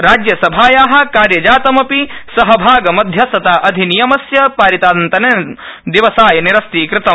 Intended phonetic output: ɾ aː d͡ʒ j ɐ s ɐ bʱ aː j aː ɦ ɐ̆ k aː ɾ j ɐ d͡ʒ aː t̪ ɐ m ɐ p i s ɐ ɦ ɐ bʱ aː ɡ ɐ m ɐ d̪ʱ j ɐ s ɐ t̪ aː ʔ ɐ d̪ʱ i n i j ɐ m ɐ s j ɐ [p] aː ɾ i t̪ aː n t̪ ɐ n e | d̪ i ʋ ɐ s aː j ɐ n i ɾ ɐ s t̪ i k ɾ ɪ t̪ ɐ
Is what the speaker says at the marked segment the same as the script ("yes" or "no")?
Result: yes